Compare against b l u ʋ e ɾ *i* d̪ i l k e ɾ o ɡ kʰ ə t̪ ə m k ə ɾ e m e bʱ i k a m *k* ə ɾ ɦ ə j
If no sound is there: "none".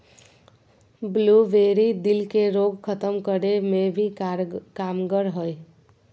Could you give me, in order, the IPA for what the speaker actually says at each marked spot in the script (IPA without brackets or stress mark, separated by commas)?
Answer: i, ɡ